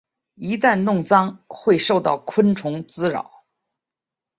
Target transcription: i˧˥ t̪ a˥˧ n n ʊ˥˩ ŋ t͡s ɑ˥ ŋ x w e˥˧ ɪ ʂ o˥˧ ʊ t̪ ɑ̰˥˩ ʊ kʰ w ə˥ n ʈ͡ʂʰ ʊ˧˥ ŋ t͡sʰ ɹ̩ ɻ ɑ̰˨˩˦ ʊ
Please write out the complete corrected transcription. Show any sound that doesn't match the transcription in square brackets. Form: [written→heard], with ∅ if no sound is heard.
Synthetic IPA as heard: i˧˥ t̪ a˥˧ n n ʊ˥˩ ŋ t͡s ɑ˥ ŋ x w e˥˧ ɪ ʂ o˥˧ ʊ t̪ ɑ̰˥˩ ʊ kʰ w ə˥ n ʈ͡ʂʰ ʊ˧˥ ŋ [t͡sʰ→t͡s] ɹ̩ ɻ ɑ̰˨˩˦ ʊ